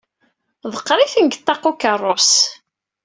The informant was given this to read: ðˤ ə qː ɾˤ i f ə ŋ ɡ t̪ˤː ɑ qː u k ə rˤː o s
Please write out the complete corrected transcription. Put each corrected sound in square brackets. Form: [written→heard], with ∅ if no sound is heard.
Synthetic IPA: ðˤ ə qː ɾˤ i [f→θ] ə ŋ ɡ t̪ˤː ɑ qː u k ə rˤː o s